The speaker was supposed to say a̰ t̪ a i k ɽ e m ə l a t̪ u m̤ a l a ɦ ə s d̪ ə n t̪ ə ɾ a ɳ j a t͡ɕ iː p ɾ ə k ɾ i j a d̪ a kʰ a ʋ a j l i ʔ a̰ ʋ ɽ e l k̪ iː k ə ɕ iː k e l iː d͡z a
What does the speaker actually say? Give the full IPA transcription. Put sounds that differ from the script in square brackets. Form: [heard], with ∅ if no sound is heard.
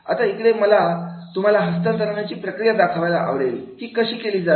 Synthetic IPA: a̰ t̪ a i k ɽ e m ə l a t̪ u m̤ a l a ɦ ə s [t̪] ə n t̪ ə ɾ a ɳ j a t͡ɕ iː p ɾ ə k ɾ i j a d̪ a kʰ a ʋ a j l [a] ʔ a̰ ʋ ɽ e l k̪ iː k ə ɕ iː k e l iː d͡z a